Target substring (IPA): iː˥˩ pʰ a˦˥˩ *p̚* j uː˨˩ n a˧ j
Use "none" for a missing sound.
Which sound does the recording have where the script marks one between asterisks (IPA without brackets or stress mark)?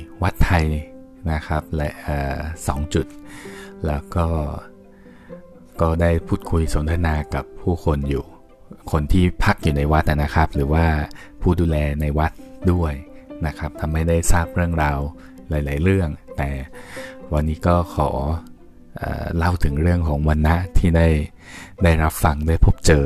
k̚